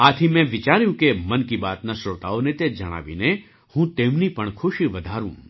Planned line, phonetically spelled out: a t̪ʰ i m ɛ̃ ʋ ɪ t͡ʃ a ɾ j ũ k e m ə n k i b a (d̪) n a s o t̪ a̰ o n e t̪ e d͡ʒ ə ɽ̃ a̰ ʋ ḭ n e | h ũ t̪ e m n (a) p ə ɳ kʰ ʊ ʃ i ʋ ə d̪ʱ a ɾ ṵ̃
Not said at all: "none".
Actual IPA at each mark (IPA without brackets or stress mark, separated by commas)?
t̪, i